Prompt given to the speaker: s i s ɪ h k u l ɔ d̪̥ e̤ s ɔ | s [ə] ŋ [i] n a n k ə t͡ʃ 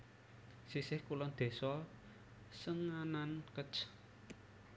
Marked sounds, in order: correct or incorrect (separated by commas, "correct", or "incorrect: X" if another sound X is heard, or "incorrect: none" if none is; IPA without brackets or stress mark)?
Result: correct, incorrect: a